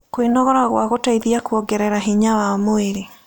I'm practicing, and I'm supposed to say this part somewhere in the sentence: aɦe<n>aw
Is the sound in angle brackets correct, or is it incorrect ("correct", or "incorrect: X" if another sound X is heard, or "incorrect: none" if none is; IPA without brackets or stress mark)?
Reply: incorrect: ɲ